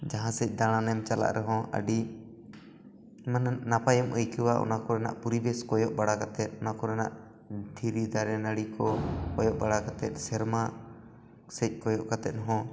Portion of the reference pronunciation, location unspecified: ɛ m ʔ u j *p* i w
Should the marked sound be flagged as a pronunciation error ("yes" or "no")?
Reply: yes